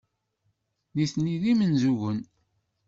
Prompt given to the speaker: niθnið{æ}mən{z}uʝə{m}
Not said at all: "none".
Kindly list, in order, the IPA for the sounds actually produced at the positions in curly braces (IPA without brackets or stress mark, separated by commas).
i, z, n